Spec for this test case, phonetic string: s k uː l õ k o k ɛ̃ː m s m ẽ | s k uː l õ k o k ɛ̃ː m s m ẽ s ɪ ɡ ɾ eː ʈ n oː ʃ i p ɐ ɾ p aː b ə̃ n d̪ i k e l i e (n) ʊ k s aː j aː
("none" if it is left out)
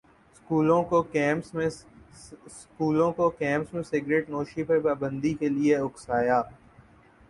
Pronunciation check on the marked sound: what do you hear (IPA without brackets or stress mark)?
none